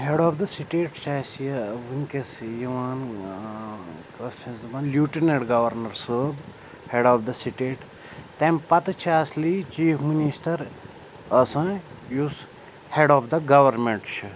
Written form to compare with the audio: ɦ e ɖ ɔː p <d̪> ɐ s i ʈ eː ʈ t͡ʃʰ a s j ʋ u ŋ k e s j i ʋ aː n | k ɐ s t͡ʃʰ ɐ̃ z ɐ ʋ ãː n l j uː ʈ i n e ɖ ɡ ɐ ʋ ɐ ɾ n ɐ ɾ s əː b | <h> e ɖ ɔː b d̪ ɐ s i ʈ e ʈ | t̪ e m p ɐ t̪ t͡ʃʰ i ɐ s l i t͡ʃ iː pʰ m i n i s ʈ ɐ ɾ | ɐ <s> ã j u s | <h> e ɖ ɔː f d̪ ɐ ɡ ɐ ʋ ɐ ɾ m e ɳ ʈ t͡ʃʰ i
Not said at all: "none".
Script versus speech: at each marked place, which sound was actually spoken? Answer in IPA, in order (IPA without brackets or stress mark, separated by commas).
d̪, h, s, h